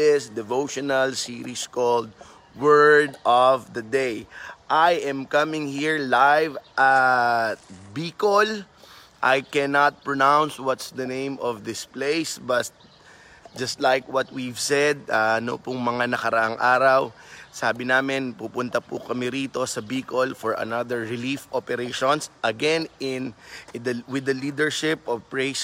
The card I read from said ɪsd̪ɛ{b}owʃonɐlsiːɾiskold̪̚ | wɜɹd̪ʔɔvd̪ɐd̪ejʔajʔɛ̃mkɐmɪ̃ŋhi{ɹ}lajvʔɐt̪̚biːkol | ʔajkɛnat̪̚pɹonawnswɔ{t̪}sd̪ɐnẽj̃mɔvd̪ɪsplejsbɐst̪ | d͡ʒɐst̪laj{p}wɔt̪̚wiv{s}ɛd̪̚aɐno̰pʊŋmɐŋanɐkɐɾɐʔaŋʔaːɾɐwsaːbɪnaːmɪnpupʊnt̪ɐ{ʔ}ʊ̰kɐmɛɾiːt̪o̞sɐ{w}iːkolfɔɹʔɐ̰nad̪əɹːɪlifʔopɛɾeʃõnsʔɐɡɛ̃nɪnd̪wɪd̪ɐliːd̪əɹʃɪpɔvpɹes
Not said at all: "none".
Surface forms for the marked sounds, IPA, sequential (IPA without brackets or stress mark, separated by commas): v, ɹ, t̪, k, s, p, b